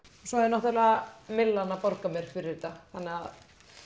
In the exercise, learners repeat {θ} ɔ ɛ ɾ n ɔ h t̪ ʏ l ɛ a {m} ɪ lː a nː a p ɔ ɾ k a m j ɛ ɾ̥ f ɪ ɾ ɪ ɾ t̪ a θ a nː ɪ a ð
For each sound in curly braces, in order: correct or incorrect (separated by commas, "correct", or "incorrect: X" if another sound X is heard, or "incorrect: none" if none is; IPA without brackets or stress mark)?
incorrect: s, correct